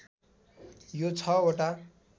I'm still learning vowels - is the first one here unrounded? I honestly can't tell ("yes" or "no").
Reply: no